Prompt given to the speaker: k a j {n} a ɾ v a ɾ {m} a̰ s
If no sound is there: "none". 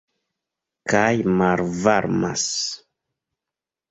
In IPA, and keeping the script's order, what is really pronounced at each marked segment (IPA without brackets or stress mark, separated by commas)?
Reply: m, m